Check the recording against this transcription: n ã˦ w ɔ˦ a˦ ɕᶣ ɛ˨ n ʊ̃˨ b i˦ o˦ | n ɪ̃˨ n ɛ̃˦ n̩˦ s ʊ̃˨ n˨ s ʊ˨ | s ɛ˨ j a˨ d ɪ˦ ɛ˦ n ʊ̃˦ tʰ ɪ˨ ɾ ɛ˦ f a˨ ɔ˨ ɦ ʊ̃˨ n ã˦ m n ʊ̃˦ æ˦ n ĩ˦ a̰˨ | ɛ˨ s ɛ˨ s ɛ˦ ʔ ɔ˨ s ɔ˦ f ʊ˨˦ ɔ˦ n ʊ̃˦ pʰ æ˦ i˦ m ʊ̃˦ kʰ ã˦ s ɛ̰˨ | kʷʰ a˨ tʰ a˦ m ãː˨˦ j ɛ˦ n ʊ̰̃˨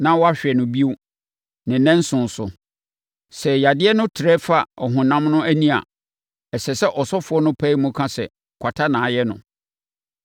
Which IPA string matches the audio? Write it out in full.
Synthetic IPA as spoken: n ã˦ w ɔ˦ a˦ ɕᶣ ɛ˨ n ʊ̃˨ b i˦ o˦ | n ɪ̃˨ n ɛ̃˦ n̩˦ s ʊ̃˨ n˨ s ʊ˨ | s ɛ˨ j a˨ d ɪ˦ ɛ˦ n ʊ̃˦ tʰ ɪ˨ ɾ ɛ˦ f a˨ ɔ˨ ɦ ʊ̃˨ n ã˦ m n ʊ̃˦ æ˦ n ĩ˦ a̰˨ | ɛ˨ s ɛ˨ s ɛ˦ ʔ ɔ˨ s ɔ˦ f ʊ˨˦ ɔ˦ n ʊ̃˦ pʰ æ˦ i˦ m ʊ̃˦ kʰ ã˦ s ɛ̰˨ | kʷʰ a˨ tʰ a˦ n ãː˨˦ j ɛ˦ n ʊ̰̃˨

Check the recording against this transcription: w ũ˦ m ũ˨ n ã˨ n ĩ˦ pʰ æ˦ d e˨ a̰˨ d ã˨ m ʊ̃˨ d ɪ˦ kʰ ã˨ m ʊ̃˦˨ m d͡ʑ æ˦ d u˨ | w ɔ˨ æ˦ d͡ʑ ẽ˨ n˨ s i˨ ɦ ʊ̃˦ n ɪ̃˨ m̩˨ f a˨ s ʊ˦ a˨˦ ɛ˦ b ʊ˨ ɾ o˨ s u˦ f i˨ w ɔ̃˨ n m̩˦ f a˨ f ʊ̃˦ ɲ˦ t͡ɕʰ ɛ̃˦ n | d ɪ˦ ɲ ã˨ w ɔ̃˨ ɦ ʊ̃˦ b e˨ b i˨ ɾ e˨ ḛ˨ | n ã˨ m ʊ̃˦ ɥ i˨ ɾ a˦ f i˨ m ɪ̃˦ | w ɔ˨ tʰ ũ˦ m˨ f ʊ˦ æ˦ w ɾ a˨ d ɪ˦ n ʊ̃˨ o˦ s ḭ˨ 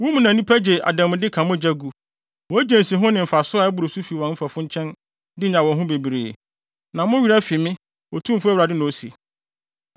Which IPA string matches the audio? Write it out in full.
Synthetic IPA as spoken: w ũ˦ m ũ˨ n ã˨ n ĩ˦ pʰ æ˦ d͡ʑ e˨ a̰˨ d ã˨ m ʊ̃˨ d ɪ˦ kʰ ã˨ m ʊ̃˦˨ d͡ʑ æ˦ ɡ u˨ | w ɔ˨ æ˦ d͡ʑ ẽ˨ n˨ s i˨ ɦ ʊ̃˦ n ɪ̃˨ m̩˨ f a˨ s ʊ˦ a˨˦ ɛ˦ b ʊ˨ ɾ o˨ s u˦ f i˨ w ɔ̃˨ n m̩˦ f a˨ f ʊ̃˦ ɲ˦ t͡ɕʰ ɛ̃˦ n | d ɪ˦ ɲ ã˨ w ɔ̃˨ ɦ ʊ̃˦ b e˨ b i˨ ɾ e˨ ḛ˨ | n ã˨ m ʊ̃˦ ɥ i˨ ɾ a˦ f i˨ m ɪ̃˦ | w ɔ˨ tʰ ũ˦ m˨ f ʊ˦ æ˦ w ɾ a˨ d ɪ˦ n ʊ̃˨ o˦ s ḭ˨

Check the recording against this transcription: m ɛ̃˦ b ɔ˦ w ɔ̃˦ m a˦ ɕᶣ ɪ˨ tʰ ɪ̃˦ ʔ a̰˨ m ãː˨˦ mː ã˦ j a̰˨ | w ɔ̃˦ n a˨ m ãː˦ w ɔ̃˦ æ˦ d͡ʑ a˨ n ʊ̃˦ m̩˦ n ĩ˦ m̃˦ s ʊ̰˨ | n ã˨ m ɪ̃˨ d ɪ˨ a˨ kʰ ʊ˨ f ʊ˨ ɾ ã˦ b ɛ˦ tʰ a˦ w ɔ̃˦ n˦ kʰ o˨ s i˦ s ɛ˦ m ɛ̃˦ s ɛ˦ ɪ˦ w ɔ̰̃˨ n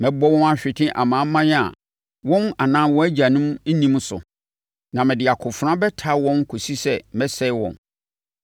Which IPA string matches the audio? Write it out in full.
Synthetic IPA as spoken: m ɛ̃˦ b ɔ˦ w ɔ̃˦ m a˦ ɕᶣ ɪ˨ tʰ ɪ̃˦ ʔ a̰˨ m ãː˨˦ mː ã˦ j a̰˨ | w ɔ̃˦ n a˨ n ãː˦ w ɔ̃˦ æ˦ d͡ʑ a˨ n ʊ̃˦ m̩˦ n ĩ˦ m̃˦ s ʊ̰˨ | n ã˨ m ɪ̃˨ d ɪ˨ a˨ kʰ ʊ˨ f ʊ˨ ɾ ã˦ b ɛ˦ tʰ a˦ w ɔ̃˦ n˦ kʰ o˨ s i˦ s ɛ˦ m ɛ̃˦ s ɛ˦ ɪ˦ w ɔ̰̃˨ n

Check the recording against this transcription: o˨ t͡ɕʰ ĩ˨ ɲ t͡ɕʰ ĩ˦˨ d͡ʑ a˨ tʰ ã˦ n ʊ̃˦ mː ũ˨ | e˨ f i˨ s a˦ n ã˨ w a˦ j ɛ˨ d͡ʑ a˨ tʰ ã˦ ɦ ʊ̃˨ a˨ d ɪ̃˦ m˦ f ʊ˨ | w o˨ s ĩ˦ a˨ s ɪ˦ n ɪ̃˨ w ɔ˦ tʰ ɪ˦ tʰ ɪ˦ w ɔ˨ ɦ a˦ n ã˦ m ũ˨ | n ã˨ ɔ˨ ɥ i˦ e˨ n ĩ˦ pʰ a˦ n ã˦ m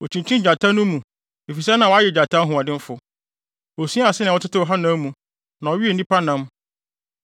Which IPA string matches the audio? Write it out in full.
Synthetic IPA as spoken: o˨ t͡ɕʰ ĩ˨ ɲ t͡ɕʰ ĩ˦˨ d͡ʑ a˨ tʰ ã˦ n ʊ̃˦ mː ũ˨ | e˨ f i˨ s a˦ n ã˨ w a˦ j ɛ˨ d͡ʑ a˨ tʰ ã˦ ɦ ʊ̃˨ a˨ d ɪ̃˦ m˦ f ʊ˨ | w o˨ s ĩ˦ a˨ s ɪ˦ n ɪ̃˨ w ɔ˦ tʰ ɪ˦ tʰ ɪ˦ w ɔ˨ ɦ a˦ n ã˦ m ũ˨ | n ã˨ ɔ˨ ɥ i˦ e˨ n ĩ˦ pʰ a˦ n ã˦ m

